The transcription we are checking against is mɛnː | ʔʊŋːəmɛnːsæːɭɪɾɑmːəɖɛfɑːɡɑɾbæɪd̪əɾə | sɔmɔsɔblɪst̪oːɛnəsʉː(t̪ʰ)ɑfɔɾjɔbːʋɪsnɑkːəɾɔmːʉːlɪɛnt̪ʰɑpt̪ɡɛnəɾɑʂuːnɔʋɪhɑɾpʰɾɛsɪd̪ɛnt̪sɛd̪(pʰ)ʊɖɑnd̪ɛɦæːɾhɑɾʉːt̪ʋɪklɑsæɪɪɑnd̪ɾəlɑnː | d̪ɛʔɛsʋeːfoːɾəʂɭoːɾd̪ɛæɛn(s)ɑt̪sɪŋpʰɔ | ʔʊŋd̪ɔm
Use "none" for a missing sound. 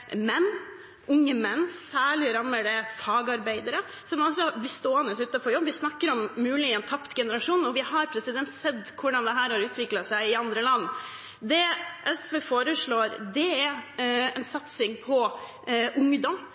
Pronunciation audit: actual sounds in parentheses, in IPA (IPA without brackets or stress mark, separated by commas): t̪, kʰ, s